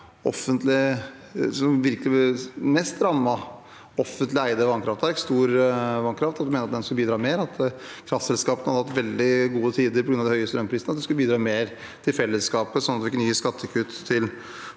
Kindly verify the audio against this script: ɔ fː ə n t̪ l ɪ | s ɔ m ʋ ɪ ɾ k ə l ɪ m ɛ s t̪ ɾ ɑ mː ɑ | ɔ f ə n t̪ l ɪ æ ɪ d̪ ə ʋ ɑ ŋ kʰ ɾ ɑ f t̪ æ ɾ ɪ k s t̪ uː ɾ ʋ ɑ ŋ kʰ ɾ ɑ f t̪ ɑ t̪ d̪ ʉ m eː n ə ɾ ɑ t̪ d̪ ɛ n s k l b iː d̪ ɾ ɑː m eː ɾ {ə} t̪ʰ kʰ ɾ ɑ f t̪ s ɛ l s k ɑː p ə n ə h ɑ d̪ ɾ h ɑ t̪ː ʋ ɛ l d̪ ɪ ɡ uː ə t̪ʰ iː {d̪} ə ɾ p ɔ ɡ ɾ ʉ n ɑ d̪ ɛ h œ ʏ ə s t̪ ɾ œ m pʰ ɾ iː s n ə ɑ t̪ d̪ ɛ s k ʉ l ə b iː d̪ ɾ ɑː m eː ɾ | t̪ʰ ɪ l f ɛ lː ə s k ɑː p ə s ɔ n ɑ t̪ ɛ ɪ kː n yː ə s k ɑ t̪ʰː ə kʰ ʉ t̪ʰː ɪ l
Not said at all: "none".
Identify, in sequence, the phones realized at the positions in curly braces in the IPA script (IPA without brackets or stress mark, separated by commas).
ɑ, d̪